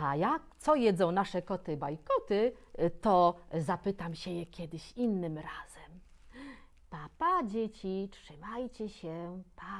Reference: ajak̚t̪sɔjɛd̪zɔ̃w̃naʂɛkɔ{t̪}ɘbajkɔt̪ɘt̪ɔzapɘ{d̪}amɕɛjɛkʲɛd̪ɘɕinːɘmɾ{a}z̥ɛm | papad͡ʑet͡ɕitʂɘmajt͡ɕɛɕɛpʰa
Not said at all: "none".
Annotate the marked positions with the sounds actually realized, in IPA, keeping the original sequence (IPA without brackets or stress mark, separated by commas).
t̪, t̪, a